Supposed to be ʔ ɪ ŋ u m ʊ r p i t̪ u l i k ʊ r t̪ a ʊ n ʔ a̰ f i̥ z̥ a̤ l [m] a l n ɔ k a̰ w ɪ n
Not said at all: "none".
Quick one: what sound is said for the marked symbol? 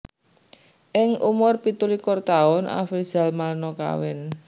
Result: m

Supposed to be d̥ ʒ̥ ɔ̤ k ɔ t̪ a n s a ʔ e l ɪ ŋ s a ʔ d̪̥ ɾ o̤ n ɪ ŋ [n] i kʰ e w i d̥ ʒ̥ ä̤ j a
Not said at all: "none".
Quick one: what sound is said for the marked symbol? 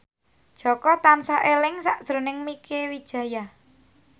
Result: m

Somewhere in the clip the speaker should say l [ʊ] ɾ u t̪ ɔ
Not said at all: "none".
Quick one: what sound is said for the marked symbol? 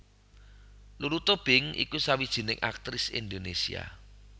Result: u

